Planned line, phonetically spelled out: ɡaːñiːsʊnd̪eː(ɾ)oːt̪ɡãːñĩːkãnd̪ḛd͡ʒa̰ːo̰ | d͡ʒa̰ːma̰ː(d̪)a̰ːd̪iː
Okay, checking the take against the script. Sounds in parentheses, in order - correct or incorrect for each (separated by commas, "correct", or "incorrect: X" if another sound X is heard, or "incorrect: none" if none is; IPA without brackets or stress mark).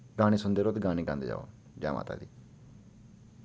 correct, incorrect: t̪